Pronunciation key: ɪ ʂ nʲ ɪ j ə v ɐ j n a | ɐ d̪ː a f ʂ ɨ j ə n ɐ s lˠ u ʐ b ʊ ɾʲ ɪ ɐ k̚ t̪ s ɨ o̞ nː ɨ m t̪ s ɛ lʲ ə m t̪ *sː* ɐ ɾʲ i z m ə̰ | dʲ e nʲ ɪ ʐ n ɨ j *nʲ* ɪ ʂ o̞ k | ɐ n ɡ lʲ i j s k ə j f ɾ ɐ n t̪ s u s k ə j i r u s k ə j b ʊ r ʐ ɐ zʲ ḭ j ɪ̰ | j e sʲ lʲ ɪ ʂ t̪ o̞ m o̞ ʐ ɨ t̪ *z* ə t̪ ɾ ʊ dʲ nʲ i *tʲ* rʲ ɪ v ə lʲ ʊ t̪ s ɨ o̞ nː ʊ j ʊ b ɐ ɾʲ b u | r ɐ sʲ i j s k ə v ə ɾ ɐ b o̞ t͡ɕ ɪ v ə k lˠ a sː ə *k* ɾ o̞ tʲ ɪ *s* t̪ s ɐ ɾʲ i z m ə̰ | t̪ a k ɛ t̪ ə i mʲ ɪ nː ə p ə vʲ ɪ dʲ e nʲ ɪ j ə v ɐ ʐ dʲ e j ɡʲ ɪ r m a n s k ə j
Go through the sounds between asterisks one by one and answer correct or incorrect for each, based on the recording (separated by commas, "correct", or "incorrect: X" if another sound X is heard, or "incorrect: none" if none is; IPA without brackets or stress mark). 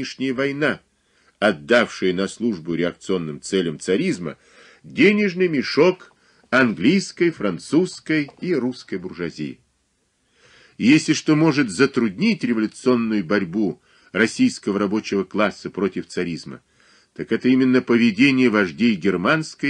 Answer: incorrect: s, incorrect: mʲ, correct, correct, incorrect: p, incorrect: f